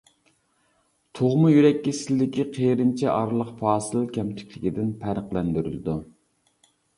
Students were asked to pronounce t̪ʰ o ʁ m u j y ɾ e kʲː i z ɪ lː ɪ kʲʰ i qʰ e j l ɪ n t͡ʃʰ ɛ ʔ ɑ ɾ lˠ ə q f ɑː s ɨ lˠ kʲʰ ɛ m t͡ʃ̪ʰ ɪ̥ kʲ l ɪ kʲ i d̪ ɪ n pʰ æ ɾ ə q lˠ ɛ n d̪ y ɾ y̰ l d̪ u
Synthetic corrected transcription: t̪ʰ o ʁ m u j y ɾ ɛ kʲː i s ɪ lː ɪ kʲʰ i qʰ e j ɾ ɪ n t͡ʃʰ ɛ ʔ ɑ ɾ lˠ ə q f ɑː s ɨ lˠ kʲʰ ɛ m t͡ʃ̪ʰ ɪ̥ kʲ l ɪ kʲ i d̪ ɪ n pʰ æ ɾ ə q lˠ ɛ n d̪ y ɾ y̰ l d̪ u

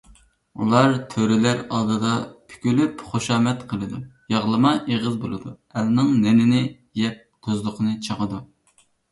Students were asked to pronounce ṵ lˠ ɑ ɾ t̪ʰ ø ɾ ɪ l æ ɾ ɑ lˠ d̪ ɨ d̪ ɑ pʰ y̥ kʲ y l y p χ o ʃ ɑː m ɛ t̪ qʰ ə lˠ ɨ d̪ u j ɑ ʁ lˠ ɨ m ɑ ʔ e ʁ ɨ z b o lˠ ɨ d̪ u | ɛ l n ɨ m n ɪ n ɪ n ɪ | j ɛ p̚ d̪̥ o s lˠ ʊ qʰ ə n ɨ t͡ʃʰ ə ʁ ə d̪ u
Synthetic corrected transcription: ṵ lˠ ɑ ɾ t̪ʰ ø ɾ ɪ l æ ɾ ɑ lˠ d̪ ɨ d̪ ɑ pʰ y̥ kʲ y l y p χ o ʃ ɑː m ɛ t̪ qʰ ə lˠ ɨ d̪ u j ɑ ʁ lˠ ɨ m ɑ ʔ e ʁ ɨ z b o lˠ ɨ d̪ u | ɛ l n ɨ ŋ n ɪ n ɪ n ɪ | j ɛ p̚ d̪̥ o z lˠ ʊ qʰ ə n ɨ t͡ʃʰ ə ʁ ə d̪ u

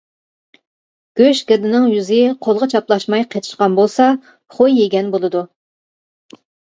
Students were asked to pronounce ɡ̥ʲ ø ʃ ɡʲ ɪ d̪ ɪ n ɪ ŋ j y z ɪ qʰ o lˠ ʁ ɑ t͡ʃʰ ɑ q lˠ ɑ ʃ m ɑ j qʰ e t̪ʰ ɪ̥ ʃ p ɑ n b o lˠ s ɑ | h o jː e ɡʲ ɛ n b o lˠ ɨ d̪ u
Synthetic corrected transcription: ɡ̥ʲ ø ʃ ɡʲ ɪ d̪ ɪ n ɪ ŋ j y z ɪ qʰ o lˠ ʁ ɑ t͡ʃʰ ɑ p lˠ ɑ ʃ m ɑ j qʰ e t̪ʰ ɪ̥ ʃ q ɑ n b o lˠ s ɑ | χ o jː e ɡʲ ɛ n b o lˠ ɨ d̪ u

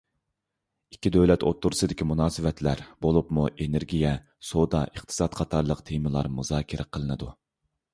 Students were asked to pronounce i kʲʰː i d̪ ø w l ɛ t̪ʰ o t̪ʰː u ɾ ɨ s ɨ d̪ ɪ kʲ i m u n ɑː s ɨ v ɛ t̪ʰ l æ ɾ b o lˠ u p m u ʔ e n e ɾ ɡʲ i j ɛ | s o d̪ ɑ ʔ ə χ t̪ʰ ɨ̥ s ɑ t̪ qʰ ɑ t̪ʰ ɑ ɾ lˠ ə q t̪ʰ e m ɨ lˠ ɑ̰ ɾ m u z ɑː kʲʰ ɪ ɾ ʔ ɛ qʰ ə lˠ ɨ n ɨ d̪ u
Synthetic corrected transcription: i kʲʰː i d̪ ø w l ɛ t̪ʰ o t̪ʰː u ɾ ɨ s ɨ d̪ ɪ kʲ i m u n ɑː s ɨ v ɛ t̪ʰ l æ ɾ b o lˠ u p m u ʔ e n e ɾ ɡʲ i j ɛ | s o d̪ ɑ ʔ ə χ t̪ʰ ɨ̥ s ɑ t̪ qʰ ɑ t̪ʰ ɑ ɾ lˠ ə q t̪ʰ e m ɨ lˠ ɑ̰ ɾ m u z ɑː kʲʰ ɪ ɾ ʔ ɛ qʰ ə lˠ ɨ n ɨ d̪ u

